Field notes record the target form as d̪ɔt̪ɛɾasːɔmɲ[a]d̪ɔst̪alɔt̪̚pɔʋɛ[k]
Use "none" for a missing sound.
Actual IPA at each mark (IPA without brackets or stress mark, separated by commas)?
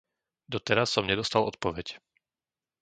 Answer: ɛ, c